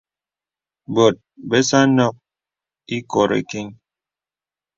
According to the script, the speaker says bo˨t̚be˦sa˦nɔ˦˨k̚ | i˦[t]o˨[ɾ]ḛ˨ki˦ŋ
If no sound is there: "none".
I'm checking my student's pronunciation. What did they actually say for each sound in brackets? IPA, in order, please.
k, ɾ

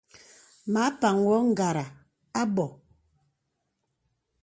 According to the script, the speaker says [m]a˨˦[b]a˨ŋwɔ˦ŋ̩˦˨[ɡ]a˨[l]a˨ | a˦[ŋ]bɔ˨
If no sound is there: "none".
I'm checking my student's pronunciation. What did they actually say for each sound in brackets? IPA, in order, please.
m, p, ɡ, ɾ, none

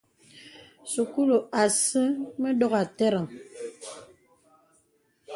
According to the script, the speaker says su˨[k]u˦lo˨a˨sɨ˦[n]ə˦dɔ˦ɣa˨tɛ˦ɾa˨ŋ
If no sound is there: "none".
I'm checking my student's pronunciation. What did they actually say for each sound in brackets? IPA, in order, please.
k, m

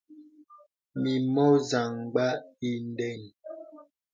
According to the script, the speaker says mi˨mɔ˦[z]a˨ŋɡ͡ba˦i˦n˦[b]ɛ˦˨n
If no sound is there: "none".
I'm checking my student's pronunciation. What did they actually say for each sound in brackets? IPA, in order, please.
z, d

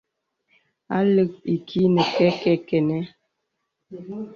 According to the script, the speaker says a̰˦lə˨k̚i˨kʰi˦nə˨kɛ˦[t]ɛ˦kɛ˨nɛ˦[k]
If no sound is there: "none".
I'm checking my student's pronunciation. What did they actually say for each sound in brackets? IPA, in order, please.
k, none

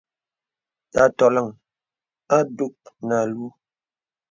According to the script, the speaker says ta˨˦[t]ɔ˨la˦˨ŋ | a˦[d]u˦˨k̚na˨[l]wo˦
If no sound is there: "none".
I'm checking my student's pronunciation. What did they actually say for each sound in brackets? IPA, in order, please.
t, d, l

